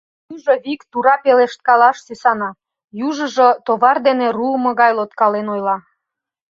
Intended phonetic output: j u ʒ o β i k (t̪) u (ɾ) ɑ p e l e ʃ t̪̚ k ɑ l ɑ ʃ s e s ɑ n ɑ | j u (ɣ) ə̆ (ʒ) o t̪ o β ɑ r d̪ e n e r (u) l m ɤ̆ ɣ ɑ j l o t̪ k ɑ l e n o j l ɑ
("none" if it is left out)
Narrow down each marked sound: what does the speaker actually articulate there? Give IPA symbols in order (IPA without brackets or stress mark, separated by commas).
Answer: t̪, ɾ, ʒ, ʒ, u